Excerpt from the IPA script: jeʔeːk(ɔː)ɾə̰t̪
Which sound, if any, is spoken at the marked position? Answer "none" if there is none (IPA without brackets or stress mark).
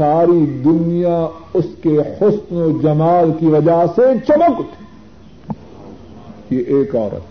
ɔː